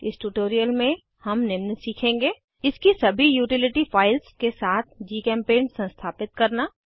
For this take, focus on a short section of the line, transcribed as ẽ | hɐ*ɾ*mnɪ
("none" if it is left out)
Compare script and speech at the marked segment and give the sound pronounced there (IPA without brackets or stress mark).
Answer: none